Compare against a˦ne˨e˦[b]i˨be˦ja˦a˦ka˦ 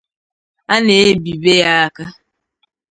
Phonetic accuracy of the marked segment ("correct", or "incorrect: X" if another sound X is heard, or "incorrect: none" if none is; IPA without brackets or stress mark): correct